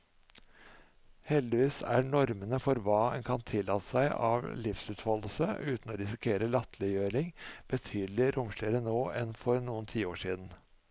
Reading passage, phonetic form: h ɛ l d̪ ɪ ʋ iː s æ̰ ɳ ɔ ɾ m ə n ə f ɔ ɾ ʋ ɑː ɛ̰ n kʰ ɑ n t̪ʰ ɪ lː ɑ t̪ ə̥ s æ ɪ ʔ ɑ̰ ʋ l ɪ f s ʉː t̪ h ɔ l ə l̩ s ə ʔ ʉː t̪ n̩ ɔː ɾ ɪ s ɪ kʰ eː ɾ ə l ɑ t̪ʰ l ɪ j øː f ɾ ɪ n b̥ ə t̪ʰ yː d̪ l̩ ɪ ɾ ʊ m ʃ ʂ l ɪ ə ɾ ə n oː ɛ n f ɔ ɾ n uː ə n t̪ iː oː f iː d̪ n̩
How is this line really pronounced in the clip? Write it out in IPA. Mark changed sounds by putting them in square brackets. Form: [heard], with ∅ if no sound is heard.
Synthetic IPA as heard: h ɛ l d̪ ɪ ʋ iː s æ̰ ɳ ɔ ɾ m ə n ə f ɔ ɾ ʋ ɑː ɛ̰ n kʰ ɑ n t̪ʰ ɪ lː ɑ t̪ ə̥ s æ ɪ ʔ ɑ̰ ʋ l ɪ f s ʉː t̪ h ɔ l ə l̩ s ə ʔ ʉː t̪ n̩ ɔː ɾ ɪ s ɪ kʰ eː ɾ ə l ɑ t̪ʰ l ɪ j øː [∅] ɾ ɪ [ŋ] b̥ ə t̪ʰ yː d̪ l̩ ɪ ɾ ʊ m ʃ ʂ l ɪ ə ɾ ə n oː ɛ n f ɔ ɾ n uː ə n [t̪ʰ] iː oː [ʂ] iː d̪ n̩